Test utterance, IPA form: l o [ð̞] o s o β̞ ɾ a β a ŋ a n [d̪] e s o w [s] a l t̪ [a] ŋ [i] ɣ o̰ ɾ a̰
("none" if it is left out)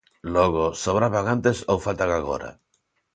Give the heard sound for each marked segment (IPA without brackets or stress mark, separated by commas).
ɣ̞, t̪, f, a, a